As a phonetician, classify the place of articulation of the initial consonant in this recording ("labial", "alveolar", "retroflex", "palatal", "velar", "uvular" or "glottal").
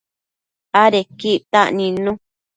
alveolar